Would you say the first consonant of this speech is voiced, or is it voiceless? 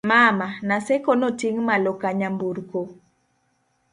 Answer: voiced